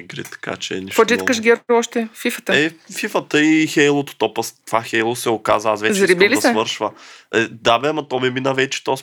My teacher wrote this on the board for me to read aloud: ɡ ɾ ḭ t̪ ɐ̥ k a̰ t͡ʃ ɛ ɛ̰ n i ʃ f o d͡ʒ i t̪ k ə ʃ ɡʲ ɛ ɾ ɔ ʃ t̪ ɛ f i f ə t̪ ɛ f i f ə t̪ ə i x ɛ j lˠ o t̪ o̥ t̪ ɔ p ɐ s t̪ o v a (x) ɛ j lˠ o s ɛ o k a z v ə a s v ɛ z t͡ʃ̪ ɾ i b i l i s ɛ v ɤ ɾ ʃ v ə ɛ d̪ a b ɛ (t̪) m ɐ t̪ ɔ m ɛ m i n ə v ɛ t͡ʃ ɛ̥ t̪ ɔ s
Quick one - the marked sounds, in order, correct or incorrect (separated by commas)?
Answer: correct, incorrect